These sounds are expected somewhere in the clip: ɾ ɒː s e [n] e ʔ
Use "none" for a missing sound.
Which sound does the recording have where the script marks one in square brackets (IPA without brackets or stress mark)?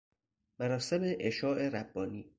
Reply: m